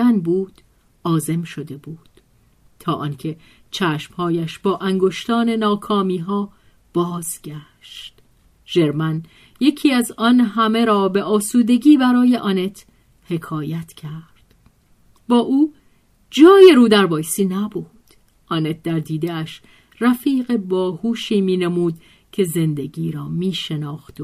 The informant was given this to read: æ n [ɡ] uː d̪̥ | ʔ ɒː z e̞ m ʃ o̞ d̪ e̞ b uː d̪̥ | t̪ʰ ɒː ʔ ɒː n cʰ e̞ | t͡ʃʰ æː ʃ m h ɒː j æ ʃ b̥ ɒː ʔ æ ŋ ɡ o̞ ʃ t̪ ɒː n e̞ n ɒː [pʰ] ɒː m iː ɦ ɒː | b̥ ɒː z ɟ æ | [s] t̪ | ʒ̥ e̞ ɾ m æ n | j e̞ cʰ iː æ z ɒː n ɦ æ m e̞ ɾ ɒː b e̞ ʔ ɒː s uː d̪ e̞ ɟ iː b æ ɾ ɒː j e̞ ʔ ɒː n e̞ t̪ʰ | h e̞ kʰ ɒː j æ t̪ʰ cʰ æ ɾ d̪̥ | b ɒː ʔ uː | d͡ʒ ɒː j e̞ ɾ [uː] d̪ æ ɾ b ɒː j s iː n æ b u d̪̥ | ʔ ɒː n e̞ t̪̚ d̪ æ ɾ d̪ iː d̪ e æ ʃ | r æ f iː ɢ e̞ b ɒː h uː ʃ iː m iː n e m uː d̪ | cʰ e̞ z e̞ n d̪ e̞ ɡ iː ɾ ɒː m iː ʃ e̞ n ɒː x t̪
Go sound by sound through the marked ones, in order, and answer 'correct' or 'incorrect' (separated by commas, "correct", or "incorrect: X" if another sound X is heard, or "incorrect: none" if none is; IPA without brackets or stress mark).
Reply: incorrect: b, incorrect: kʰ, incorrect: ʃ, correct